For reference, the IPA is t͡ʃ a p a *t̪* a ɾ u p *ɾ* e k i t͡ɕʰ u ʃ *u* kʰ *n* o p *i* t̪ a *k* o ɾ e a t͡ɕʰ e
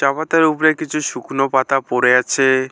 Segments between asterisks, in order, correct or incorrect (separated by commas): correct, correct, correct, correct, incorrect, incorrect